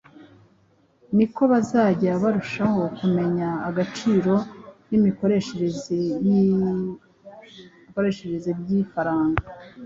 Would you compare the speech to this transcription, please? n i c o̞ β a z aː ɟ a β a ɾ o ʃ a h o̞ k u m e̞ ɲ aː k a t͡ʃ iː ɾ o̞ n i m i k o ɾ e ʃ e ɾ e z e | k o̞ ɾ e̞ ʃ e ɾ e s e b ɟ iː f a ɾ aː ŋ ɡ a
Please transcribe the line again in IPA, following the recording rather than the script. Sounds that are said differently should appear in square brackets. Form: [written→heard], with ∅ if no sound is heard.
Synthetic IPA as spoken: n i [c→k] o̞ β a z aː ɟ a β a ɾ [o→u] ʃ a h o̞ k u m e̞ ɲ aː [k→ɡ] a t͡ʃ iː ɾ o̞ n i m i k o ɾ e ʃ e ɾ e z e | k o̞ ɾ e̞ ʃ e ɾ e [s→z] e b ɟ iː f a ɾ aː ŋ ɡ a